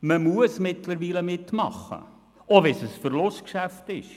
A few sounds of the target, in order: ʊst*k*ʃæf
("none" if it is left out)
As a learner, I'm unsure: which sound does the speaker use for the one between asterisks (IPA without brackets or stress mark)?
k